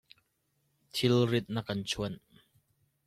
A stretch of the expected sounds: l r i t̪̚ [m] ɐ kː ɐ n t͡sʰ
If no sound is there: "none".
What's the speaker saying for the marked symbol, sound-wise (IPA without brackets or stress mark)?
n